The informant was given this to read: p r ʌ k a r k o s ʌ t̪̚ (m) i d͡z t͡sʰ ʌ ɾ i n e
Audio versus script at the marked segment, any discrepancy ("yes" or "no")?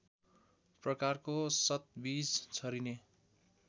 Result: yes